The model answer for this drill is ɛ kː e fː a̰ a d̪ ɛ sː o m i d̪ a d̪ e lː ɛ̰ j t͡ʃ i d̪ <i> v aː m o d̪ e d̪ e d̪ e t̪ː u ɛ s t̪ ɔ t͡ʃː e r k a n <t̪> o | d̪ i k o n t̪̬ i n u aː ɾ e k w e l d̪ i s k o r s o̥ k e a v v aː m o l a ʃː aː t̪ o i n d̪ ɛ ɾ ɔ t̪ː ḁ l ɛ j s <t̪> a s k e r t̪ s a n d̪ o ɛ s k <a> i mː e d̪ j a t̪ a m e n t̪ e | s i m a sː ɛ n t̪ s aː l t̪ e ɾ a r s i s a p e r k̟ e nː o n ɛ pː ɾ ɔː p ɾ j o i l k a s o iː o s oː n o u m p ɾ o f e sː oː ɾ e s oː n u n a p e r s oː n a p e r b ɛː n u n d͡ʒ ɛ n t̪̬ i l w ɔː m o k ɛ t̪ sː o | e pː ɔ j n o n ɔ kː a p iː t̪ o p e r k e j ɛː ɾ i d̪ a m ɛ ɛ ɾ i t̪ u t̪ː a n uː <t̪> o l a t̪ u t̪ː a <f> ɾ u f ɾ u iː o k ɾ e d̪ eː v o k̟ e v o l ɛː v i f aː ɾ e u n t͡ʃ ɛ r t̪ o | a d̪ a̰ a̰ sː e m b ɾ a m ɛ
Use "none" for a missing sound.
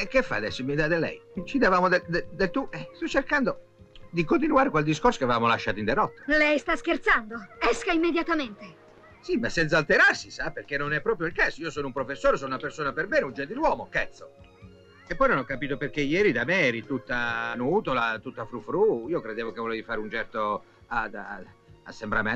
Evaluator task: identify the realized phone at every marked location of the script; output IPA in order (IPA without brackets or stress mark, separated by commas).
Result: a, d̪, t̪, a, t̪, f